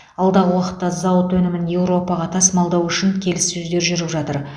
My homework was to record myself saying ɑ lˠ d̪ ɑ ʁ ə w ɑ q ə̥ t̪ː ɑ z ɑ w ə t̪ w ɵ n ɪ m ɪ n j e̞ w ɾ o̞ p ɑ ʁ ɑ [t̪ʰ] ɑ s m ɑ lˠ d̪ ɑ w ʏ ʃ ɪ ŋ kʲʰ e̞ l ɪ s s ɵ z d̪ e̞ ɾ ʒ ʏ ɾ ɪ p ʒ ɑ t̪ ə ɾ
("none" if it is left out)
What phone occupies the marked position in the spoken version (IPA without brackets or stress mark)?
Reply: t̪ʰ